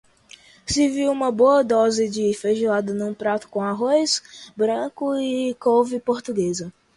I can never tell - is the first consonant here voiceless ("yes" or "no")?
yes